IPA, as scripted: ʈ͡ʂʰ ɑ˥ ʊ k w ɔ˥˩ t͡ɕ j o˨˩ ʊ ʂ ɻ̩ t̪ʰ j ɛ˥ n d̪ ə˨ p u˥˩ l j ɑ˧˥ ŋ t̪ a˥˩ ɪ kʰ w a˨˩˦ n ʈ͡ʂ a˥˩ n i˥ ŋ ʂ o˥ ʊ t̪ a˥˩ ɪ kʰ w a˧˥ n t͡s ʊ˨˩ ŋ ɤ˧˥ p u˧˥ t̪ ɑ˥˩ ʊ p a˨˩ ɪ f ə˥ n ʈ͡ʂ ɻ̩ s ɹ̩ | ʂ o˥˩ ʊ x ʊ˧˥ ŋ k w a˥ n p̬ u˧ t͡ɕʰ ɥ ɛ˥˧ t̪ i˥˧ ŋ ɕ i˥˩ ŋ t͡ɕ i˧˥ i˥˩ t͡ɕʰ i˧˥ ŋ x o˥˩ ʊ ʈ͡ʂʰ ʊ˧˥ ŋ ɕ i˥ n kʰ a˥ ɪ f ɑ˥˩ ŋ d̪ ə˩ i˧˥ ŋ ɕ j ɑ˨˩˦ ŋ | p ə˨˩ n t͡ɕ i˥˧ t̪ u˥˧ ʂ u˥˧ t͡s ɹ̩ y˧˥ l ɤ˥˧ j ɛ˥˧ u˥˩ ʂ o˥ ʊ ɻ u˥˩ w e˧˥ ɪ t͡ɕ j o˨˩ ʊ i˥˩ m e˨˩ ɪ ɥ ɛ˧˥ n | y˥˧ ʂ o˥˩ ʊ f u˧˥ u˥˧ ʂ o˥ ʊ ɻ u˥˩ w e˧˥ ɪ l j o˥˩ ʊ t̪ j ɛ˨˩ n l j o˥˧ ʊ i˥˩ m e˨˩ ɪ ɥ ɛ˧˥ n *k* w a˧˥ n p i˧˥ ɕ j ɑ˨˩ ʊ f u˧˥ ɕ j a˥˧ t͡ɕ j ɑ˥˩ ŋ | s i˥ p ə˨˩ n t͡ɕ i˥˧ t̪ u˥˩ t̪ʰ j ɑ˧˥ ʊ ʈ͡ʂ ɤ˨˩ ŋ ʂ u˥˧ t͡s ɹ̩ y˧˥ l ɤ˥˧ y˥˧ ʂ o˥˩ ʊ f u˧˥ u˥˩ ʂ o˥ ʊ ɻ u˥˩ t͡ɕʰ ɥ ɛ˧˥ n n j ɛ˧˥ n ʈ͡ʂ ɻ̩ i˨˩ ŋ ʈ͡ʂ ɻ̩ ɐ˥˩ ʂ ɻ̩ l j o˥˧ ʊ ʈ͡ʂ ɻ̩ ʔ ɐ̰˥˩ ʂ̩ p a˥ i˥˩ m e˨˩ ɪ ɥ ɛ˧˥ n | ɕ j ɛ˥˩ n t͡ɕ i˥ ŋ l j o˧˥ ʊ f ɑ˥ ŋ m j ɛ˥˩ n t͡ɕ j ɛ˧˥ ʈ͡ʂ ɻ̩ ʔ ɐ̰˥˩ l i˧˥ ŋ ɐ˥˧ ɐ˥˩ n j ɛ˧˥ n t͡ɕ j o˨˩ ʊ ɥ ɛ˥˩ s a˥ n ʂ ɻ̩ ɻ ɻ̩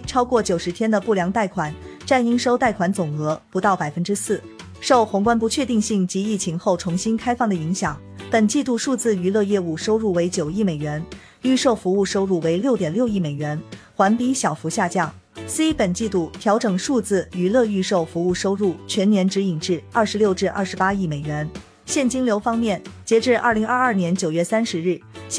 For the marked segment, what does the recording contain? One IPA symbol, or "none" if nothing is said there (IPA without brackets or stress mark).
x